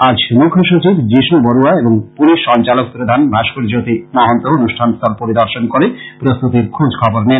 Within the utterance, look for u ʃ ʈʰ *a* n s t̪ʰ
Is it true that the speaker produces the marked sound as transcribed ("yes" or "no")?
yes